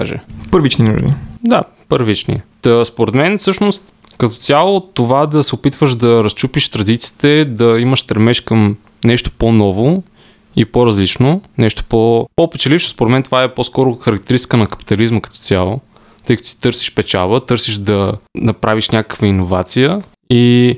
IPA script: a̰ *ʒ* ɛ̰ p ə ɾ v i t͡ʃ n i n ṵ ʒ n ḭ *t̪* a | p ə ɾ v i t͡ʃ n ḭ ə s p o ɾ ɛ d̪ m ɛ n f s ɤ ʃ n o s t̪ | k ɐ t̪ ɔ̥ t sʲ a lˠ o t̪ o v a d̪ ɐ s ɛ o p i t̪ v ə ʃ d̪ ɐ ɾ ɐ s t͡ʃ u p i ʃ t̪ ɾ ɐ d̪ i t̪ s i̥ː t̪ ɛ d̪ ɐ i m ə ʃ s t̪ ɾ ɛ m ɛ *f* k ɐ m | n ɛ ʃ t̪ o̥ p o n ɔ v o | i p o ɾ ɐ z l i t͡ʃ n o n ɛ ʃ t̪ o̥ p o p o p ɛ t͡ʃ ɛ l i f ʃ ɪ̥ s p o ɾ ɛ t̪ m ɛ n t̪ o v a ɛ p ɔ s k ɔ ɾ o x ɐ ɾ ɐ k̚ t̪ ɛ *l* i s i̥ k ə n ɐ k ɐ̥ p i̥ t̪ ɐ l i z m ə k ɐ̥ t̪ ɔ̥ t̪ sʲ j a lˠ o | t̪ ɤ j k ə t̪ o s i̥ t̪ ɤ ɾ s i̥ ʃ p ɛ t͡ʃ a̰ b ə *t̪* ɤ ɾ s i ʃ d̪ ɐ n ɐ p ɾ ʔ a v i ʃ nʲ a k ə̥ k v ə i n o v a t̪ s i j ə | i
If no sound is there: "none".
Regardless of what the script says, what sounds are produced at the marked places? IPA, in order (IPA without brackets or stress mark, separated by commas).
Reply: ʒ, d̪, ʃ, ɾ, t̪